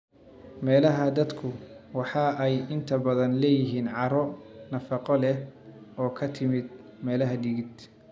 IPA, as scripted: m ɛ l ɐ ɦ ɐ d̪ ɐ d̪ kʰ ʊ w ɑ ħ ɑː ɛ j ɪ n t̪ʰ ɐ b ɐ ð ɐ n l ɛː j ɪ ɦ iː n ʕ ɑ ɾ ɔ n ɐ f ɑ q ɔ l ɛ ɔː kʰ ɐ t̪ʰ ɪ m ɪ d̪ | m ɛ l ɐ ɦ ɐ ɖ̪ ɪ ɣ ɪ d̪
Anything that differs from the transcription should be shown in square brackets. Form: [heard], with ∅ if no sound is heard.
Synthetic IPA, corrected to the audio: m [ɛː] l ɐ ɦ ɐ d̪ ɐ d̪ kʰ ʊ w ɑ ħ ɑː ɛ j ɪ n t̪ʰ ɐ b ɐ ð ɐ n l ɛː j ɪ ɦ iː n ʕ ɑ ɾ ɔ n ɐ f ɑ q ɔ l ɛ ɔː kʰ ɐ t̪ʰ ɪ m ɪ d̪ | m [ɛː] l ɐ ɦ ɐ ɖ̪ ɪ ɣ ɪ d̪